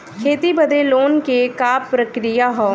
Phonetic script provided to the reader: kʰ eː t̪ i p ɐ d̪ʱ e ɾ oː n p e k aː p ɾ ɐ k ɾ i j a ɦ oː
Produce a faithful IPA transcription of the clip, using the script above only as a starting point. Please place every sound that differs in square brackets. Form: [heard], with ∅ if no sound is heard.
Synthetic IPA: kʰ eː t̪ i [b] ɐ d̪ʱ e [l] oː n [k] e k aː p ɾ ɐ k ɾ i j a ɦ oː

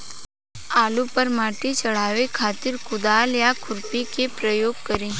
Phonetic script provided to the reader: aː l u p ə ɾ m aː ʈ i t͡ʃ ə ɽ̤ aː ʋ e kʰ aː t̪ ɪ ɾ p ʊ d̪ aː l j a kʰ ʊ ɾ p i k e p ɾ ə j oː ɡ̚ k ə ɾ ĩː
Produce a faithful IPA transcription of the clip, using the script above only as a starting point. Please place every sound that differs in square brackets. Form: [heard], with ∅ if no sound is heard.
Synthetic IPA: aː l u p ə ɾ m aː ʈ i t͡ʃ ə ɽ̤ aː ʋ e kʰ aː t̪ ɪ ɾ [k] ʊ d̪ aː l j a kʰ ʊ ɾ p i k e p ɾ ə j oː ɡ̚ k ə ɾ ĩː

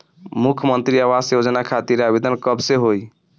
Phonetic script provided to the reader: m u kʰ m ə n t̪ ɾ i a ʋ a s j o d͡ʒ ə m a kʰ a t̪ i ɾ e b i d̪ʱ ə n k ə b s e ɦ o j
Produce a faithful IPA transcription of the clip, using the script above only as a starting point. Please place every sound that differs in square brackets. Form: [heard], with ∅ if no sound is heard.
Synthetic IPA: m u kʰ m ə n t̪ ɾ i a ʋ a s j o d͡ʒ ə [n] a kʰ a t̪ i ɾ [a] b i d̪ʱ ə n k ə b s e ɦ o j

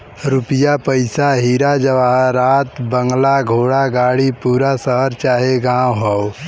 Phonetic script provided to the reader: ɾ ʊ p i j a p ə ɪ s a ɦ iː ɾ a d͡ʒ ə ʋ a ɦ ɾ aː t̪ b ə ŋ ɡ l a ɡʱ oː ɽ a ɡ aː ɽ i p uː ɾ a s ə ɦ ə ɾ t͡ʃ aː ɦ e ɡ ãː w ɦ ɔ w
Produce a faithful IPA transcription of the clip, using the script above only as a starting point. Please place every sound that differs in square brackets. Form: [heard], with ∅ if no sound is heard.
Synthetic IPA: ɾ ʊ p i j a p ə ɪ s a ɦ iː ɾ a d͡ʒ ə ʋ a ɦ ɾ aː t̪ b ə ŋ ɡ l a ɡʱ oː ɽ a ɡ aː ɽ i p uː ɾ a s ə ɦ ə ɾ t͡ʃ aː ɦ e ɡ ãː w ɦ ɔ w

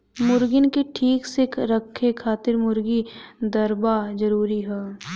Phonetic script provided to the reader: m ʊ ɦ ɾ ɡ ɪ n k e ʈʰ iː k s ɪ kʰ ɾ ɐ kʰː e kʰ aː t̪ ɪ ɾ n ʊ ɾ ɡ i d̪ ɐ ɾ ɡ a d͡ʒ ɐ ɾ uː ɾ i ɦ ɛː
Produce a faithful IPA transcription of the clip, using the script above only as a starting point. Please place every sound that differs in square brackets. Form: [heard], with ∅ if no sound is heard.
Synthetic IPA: m ʊ [∅] ɾ ɡ ɪ n k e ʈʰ iː k s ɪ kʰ ɾ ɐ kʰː e kʰ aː t̪ ɪ ɾ [m] ʊ ɾ ɡ i d̪ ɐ ɾ [b] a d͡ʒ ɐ ɾ uː ɾ i ɦ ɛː

